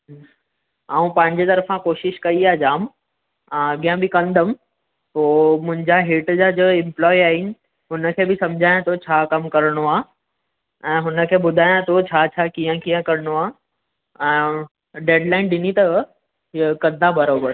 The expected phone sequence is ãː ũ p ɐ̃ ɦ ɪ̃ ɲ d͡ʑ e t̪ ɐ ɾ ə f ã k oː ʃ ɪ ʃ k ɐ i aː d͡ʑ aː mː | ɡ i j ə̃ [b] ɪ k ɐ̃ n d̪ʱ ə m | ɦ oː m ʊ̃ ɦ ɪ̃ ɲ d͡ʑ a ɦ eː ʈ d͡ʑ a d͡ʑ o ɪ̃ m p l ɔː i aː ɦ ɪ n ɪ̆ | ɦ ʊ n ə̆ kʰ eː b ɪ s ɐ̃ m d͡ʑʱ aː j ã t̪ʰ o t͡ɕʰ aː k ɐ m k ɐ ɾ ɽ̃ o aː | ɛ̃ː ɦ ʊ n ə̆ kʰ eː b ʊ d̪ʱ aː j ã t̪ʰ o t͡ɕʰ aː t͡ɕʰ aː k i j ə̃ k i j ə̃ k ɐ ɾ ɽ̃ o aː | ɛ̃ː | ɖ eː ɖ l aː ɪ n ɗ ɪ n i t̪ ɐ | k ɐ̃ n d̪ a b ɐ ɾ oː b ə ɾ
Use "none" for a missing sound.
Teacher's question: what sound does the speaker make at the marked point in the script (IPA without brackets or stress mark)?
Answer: b